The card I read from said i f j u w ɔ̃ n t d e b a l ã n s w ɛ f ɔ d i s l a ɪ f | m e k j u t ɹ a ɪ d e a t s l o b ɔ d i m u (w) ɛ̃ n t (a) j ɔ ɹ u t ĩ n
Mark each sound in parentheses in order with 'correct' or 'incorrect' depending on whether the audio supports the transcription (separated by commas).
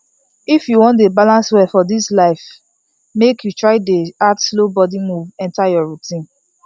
incorrect, correct